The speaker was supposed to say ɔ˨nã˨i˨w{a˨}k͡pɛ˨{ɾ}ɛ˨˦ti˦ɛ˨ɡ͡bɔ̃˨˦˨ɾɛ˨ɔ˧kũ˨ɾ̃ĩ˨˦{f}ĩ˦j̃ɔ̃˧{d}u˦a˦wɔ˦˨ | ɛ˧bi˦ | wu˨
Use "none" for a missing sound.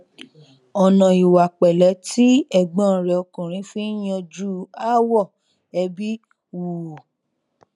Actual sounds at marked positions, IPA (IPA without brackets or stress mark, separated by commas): a˨, l, f, d͡ʒ